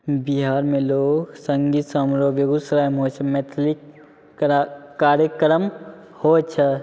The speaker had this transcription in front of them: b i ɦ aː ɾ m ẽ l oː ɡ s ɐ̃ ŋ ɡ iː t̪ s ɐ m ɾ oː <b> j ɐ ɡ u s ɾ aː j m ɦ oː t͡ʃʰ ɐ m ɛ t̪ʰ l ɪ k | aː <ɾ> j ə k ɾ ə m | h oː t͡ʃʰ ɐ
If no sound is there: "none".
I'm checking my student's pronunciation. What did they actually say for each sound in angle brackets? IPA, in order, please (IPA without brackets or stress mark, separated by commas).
b, ɾ